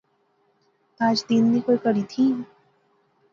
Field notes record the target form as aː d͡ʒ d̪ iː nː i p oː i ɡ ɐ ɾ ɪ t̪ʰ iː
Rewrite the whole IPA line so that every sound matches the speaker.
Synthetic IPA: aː d͡ʒ d̪ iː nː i k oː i k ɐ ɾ i t̪ʰ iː